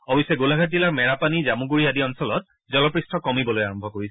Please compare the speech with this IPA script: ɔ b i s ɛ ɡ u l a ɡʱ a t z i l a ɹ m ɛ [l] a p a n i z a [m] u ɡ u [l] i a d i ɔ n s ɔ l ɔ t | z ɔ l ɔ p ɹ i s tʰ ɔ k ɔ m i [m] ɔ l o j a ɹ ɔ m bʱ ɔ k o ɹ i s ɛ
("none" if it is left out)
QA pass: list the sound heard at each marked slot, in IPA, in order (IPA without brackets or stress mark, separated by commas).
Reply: ɹ, m, ɹ, b